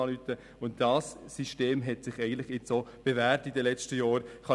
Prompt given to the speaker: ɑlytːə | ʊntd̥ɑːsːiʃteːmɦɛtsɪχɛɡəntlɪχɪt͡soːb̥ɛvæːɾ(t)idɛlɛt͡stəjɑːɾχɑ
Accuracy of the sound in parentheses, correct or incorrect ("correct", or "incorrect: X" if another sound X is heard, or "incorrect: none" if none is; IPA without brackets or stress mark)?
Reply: correct